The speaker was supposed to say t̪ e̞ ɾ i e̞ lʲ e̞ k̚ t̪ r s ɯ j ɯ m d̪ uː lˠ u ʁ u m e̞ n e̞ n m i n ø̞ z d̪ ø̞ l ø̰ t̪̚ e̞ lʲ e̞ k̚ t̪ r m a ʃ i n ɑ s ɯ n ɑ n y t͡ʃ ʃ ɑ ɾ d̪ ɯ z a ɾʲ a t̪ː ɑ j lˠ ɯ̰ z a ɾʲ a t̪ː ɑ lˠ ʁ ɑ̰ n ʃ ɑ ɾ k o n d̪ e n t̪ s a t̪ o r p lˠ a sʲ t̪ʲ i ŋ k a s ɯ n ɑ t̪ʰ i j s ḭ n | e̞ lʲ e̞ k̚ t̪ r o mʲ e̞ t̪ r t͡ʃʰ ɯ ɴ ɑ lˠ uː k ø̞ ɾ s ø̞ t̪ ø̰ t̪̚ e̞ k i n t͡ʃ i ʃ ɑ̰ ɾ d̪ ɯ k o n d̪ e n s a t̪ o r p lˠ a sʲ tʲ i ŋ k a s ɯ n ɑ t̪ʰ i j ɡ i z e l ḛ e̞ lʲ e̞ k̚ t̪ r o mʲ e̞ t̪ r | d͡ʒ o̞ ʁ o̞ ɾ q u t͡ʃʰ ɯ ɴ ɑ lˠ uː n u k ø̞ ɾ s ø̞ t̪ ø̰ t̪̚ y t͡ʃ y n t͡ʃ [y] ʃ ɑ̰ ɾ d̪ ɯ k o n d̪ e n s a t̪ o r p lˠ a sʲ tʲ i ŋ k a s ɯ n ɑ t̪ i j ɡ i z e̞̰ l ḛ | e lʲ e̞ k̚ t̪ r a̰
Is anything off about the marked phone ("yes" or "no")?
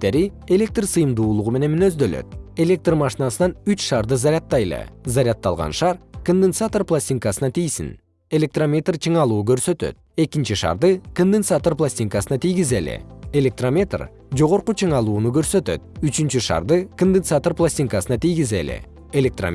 no